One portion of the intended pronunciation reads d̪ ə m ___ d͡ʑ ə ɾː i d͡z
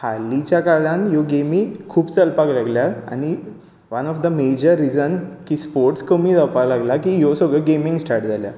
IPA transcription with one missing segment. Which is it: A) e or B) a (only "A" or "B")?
A